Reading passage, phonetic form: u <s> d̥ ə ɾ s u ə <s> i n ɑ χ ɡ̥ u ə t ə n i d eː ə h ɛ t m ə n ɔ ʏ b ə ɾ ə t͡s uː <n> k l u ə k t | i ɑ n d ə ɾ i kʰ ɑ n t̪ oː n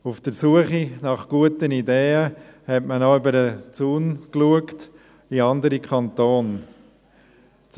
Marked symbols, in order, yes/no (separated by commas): no, no, yes